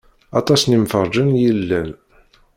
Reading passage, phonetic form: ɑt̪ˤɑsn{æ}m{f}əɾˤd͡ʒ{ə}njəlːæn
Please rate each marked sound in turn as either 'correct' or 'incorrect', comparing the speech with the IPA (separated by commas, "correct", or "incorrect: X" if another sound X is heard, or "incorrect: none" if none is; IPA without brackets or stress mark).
incorrect: i, correct, correct